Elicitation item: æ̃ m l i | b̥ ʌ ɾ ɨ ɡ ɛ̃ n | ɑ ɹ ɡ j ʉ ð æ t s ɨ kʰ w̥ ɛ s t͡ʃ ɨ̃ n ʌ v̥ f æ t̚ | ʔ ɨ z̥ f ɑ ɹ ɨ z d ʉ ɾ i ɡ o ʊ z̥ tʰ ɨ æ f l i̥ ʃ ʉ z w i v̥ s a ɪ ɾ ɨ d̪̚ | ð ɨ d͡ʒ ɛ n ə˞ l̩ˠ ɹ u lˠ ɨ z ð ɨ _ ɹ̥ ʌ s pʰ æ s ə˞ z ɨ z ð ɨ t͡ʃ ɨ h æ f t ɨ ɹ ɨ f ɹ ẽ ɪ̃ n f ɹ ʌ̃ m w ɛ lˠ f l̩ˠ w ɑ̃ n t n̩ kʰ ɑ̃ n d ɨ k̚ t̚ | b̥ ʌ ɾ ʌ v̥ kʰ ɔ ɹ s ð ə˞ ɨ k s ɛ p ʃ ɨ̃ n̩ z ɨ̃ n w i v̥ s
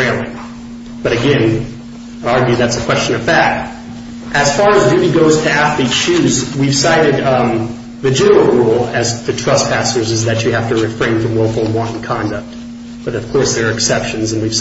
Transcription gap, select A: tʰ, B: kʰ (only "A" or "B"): A